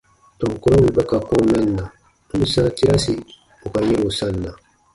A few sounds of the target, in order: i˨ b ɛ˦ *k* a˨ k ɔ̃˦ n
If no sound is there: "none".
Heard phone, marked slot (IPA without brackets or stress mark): k